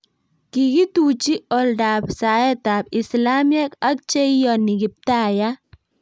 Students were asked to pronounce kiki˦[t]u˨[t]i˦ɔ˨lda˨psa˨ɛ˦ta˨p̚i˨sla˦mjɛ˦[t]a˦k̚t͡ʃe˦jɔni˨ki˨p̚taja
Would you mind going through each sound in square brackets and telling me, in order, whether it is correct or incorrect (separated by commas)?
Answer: correct, incorrect, incorrect